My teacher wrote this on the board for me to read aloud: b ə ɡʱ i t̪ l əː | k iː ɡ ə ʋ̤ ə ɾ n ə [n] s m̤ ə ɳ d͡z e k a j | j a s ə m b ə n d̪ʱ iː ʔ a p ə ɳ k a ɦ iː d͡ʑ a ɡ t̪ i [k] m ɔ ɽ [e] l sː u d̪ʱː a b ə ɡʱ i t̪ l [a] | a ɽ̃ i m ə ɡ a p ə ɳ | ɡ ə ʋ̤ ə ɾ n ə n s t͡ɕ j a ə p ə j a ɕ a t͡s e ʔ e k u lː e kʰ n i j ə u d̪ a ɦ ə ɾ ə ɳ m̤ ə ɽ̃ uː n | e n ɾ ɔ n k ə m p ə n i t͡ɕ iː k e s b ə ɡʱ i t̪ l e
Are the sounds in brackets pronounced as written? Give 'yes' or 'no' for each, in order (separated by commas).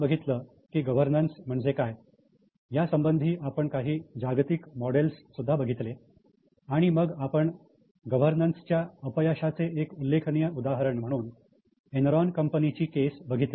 yes, yes, yes, no